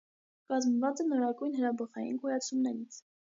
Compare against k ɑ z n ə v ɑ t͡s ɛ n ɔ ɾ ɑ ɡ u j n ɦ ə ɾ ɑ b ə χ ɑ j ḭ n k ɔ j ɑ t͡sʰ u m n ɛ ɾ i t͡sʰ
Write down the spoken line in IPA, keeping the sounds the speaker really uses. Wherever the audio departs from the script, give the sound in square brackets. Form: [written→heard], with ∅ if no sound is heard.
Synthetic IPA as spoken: k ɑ z [n→m] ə v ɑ t͡s ɛ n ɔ ɾ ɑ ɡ u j n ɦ ə ɾ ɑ b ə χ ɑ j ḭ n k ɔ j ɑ t͡sʰ u m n ɛ ɾ i t͡sʰ